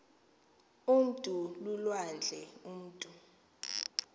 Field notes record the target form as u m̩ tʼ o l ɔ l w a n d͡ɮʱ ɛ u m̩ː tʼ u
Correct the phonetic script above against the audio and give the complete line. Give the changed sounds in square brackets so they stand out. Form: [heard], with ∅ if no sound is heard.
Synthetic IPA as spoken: u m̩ tʼ [u] l [u] l w a n d͡ɮʱ ɛ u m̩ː tʼ u